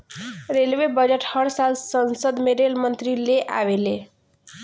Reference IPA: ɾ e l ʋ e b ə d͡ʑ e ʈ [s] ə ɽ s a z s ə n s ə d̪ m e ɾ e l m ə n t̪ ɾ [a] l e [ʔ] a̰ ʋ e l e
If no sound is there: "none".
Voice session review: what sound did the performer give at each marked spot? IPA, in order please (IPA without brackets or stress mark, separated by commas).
h, i, ʔ